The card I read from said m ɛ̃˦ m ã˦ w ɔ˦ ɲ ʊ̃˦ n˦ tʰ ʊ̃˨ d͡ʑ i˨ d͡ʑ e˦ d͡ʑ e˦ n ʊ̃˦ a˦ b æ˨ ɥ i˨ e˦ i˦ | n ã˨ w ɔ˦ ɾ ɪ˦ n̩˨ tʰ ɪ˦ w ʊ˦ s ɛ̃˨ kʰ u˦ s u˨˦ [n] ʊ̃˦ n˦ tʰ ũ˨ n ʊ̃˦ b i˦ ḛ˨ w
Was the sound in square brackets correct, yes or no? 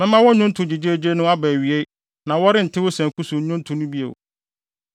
no